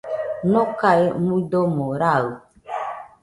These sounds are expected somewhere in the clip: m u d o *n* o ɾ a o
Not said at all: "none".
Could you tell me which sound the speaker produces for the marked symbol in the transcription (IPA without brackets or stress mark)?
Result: m